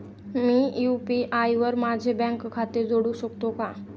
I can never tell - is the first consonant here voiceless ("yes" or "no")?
no